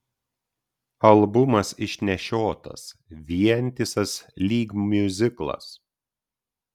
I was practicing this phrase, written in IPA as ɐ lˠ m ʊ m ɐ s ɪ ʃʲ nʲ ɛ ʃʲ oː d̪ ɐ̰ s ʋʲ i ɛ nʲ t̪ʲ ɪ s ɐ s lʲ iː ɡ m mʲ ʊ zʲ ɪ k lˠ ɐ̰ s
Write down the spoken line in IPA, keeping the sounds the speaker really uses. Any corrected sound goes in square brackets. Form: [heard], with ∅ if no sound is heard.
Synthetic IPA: ɐ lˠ [b] ʊ m ɐ s ɪ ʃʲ nʲ ɛ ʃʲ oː [t̪] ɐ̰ s ʋʲ i ɛ nʲ t̪ʲ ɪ s ɐ s lʲ iː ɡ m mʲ ʊ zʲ ɪ k lˠ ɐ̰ s

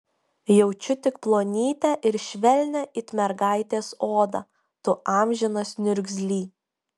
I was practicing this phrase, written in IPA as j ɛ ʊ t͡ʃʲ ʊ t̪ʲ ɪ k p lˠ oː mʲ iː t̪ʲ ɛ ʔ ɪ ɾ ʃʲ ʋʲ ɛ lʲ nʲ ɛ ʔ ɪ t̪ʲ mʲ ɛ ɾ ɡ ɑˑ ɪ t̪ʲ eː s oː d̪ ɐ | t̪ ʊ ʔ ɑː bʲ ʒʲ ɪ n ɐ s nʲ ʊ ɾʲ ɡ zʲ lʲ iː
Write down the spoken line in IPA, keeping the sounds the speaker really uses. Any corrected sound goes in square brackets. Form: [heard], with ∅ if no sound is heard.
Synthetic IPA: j ɛ ʊ t͡ʃʲ ʊ t̪ʲ ɪ k p lˠ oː [nʲ] iː t̪ʲ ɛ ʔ ɪ ɾ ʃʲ ʋʲ ɛ lʲ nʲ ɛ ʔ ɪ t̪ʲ mʲ ɛ ɾ ɡ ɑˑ ɪ t̪ʲ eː s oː d̪ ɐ | t̪ ʊ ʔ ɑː [mʲ] ʒʲ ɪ n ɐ s nʲ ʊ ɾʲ ɡ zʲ lʲ iː

